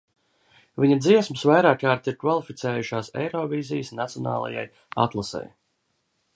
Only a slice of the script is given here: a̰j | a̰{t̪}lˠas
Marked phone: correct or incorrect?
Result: correct